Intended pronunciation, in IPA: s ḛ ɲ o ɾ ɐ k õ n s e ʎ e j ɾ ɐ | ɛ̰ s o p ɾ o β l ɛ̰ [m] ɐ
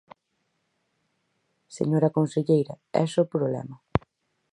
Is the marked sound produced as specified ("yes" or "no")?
yes